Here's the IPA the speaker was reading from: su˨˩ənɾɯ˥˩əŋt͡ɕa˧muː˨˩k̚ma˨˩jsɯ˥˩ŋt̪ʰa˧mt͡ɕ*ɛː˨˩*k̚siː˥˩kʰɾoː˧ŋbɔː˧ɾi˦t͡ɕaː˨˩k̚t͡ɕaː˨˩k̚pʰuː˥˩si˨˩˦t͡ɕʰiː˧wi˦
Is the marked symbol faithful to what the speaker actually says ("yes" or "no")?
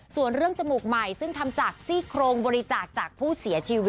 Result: no